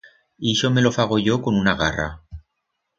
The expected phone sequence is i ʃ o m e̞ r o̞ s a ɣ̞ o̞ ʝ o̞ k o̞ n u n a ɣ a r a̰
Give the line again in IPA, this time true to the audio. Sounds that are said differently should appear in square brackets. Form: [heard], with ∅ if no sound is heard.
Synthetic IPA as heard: i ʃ o m e̞ [l] o̞ [f] a ɣ̞ o̞ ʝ o̞ k o̞ n u n a ɣ a r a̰